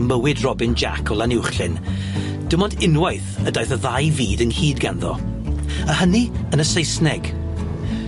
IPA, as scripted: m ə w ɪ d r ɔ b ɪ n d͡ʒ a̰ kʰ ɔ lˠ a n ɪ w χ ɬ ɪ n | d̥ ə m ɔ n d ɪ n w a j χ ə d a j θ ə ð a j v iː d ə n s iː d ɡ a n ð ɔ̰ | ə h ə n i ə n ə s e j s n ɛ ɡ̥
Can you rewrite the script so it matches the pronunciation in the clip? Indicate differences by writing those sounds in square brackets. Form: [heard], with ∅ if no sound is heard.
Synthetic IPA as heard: m ə w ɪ d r ɔ b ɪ n d͡ʒ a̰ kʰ ɔ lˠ a n ɪ w χ ɬ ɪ n | d̥ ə m ɔ n d ɪ n w a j [θ] ə d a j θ ə ð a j v iː d ə n [h] iː d ɡ a n ð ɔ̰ | ə h ə n i ə n ə s e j s n ɛ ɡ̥